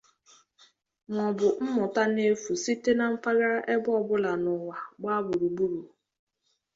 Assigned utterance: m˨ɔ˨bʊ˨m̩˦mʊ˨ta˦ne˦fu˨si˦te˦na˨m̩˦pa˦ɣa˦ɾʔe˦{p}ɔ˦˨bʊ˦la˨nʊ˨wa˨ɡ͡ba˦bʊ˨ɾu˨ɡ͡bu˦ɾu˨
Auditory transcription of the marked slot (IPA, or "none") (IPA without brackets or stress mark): b